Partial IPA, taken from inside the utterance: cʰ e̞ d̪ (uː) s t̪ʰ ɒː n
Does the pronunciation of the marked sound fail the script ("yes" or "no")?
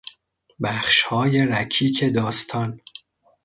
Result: yes